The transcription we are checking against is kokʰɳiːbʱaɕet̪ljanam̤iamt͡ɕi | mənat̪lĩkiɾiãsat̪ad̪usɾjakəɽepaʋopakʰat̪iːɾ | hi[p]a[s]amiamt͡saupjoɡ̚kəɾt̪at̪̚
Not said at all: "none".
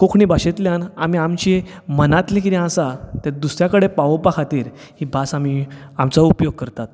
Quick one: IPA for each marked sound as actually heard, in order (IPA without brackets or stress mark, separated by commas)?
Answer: b, s